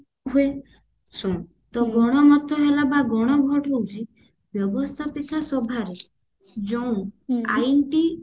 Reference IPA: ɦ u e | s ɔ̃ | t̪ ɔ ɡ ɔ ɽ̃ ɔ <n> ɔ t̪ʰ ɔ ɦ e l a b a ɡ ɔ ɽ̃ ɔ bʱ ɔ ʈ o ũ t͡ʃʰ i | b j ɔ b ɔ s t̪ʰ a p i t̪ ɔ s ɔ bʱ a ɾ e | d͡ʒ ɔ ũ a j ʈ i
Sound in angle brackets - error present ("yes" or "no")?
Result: yes